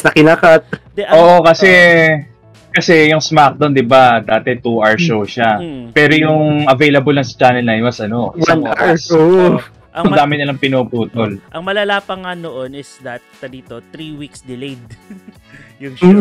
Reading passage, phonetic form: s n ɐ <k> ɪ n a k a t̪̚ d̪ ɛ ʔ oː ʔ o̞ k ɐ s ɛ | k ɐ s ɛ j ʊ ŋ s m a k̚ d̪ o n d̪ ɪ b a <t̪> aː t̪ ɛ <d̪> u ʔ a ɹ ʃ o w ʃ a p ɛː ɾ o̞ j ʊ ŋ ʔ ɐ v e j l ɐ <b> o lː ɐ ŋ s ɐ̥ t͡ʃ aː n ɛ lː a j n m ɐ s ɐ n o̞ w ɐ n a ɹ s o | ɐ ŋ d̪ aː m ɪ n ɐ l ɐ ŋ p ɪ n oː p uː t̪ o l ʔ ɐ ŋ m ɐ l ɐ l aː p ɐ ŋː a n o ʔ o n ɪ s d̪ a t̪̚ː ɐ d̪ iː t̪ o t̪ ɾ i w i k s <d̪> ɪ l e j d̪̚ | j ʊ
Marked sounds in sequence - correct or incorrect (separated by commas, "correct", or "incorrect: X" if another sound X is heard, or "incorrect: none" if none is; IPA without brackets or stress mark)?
correct, incorrect: d̪, incorrect: t̪, correct, correct